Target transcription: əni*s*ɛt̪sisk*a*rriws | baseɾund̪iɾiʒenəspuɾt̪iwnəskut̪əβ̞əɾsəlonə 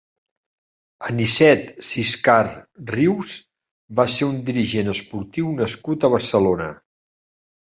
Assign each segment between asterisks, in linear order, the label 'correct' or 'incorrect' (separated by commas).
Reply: correct, correct